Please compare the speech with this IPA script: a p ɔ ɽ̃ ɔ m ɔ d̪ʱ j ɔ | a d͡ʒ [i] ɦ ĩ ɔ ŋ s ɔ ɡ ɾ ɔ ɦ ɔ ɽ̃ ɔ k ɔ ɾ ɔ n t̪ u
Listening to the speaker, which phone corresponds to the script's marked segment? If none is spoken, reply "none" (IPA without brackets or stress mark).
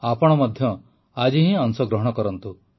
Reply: i